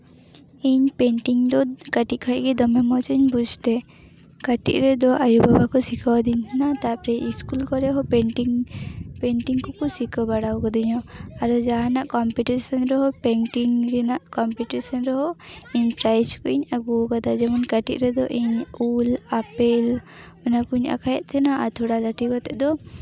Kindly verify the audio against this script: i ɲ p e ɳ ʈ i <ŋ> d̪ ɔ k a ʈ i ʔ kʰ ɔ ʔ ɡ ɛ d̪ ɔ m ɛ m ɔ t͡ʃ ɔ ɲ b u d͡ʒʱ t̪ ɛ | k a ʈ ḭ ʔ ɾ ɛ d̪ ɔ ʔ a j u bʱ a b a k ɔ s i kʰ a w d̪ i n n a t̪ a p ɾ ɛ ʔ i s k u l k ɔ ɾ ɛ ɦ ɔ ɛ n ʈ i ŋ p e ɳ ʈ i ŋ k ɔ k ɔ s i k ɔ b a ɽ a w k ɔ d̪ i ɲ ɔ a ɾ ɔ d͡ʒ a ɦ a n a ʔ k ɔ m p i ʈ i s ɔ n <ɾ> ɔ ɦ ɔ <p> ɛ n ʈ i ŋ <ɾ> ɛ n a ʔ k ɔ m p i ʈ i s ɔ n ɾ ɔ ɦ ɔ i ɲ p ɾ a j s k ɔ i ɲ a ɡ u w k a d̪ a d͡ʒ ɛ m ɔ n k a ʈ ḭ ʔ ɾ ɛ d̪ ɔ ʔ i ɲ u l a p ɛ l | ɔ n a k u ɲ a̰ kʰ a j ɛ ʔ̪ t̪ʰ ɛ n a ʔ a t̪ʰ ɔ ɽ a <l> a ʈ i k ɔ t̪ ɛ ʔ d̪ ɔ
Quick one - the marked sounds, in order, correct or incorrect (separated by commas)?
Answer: correct, correct, correct, correct, correct